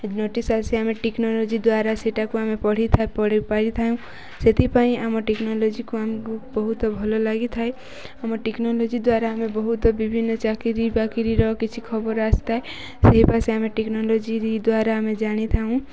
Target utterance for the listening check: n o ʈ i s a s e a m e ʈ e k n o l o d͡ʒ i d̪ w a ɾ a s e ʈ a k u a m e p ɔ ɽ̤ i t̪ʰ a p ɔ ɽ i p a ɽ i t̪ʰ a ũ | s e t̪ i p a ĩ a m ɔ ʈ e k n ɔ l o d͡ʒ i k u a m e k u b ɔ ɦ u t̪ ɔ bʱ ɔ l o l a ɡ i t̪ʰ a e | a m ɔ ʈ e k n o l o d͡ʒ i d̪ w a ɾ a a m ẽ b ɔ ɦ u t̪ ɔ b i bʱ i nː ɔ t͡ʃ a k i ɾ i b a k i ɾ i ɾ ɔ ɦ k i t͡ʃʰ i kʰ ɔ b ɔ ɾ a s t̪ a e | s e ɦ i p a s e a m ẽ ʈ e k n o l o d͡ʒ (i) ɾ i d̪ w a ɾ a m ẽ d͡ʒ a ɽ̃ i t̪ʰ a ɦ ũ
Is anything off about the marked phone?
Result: no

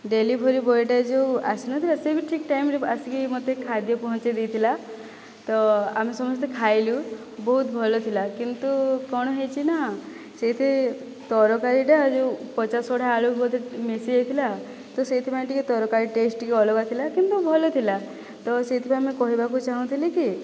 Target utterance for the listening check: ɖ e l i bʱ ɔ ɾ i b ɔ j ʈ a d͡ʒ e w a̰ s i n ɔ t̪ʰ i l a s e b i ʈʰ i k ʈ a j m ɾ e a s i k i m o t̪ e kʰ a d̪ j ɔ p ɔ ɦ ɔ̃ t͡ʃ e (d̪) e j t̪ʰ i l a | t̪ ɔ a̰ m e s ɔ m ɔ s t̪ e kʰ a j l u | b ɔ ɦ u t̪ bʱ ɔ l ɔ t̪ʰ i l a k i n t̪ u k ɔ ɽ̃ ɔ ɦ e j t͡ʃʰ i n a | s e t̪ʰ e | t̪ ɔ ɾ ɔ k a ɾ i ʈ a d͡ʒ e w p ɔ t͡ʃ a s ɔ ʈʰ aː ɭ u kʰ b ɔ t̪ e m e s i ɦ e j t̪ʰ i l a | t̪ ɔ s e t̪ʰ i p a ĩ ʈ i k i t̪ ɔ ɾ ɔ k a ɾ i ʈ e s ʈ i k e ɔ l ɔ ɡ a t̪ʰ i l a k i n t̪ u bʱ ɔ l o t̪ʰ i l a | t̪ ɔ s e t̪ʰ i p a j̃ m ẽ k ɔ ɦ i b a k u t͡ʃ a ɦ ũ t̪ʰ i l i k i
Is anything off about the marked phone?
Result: no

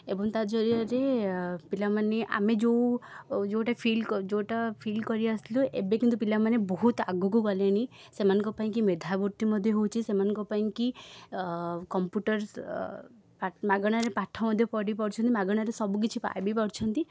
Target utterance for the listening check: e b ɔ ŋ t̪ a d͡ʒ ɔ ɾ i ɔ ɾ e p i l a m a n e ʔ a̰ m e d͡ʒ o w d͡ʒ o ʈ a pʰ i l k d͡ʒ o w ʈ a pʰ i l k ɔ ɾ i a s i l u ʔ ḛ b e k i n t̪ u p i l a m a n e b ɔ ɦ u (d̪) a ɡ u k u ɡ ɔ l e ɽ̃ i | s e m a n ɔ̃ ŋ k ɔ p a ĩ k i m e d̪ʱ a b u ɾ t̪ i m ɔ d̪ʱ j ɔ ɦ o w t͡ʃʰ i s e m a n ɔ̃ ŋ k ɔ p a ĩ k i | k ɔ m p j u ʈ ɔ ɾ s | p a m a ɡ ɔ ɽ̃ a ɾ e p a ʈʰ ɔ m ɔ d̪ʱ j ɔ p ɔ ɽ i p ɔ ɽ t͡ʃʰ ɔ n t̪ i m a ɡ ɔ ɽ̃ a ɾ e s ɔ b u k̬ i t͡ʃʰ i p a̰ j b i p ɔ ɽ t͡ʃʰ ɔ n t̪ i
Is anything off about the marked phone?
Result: yes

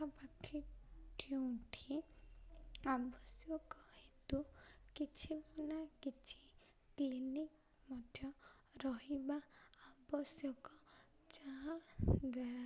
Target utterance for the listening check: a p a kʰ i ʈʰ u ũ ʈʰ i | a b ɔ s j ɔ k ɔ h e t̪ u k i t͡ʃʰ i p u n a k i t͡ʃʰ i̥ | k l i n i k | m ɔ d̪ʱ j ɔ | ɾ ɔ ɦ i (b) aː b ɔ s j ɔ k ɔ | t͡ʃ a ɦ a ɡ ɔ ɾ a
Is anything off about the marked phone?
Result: no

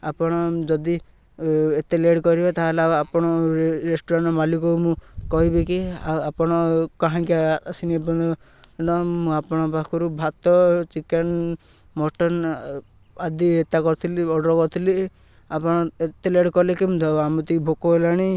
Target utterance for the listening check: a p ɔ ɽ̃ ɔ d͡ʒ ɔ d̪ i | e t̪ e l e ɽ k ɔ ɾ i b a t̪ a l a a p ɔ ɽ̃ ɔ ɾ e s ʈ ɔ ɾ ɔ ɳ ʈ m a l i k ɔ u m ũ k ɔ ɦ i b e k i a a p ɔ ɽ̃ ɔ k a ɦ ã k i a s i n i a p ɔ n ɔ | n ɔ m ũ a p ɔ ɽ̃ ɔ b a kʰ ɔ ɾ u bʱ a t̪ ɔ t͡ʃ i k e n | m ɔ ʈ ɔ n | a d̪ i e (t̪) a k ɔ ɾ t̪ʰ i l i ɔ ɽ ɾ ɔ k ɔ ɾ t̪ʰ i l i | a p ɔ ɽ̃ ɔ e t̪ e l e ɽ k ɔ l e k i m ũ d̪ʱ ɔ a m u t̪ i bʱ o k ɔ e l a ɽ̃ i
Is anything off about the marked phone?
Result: no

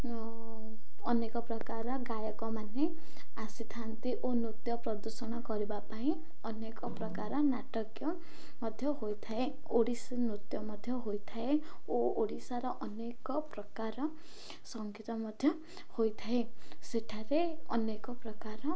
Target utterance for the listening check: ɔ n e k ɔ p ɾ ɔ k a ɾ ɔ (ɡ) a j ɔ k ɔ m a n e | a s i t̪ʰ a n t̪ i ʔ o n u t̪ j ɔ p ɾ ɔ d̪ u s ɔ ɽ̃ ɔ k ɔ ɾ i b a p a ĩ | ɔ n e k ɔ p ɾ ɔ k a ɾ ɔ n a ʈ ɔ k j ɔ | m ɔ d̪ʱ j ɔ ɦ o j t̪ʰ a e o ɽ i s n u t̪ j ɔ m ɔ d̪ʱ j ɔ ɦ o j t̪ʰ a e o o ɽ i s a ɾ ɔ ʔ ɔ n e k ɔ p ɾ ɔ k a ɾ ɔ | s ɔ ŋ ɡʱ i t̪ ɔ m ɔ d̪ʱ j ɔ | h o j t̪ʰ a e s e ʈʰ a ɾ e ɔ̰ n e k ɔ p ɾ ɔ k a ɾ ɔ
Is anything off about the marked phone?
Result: no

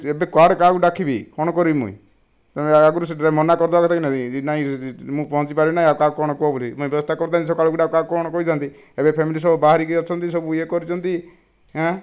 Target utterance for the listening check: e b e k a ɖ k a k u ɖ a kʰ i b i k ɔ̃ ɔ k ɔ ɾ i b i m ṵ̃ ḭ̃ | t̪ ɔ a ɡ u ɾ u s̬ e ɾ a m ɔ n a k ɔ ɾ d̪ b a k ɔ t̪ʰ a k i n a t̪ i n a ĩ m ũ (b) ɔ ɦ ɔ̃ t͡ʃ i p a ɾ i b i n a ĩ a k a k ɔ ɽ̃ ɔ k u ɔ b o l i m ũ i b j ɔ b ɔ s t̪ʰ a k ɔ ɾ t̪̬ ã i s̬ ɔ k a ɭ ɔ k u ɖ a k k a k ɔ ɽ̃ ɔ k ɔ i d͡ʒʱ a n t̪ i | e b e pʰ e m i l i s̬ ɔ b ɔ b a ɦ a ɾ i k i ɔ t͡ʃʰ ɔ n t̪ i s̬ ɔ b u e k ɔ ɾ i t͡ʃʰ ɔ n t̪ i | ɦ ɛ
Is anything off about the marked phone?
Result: yes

